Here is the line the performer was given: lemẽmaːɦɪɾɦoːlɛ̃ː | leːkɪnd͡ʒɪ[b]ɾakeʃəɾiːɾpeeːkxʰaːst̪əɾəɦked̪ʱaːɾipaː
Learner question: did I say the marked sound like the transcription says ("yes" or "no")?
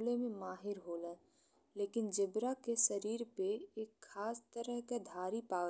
yes